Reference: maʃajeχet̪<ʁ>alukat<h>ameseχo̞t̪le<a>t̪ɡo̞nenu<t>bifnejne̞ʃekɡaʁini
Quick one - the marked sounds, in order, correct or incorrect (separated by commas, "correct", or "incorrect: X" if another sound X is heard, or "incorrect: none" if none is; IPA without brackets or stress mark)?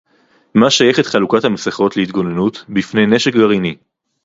incorrect: χ, correct, incorrect: i, correct